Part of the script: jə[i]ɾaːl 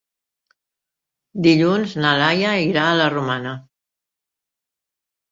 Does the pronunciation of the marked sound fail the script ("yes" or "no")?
no